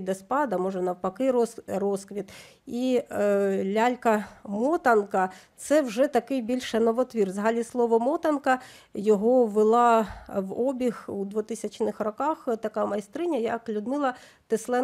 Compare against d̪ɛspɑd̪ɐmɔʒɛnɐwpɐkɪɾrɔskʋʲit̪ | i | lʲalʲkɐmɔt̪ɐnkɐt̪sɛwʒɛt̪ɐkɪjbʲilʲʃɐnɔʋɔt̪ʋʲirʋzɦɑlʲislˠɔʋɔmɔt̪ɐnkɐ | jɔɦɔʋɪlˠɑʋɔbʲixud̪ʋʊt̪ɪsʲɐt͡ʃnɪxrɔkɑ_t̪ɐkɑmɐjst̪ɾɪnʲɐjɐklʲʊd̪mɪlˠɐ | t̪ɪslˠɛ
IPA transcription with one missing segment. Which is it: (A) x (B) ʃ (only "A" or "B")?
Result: A